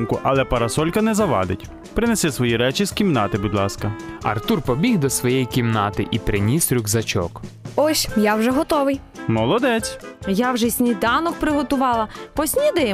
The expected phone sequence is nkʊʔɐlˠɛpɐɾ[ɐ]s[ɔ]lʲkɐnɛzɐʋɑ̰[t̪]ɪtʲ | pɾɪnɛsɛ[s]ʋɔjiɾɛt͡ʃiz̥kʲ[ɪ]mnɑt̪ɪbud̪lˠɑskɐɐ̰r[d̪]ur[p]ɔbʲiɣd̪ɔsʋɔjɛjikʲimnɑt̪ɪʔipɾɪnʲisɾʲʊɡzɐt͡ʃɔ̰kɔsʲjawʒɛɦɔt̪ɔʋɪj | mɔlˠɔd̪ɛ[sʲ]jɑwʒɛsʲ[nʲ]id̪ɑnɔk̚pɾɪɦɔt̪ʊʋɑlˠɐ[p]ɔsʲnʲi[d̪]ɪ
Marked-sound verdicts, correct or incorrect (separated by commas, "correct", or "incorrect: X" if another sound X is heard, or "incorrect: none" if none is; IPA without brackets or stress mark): correct, correct, incorrect: d̪, correct, incorrect: i, incorrect: t̪, correct, incorrect: t͡sʲ, correct, correct, correct